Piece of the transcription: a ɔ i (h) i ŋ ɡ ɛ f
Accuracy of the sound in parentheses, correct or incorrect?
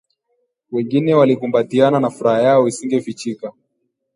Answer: incorrect